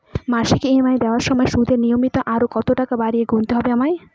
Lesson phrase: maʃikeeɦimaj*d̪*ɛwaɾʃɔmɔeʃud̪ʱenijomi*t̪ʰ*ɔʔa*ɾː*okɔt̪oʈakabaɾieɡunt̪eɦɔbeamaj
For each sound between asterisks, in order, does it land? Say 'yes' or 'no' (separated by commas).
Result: yes, no, no